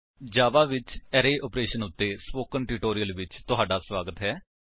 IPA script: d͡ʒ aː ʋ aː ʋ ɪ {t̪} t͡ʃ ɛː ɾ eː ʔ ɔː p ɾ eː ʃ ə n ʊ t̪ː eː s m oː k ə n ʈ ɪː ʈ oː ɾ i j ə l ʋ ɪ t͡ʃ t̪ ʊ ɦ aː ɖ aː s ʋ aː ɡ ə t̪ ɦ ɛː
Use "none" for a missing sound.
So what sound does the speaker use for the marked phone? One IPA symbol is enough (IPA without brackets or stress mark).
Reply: none